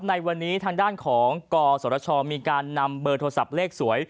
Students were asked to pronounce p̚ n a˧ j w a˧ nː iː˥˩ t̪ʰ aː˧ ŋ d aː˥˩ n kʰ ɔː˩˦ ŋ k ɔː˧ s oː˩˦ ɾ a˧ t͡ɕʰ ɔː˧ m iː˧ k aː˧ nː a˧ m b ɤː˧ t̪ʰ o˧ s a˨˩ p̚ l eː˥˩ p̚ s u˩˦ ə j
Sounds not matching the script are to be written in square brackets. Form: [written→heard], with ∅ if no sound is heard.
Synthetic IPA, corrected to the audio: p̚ n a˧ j w a˧ nː [iː˥˩→iː˦˥] t̪ʰ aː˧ ŋ d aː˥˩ n kʰ ɔː˩˦ ŋ k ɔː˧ s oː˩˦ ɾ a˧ t͡ɕʰ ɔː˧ m iː˧ k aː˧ nː a˧ m b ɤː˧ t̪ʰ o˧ s a˨˩ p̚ l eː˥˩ [p̚→k̚] s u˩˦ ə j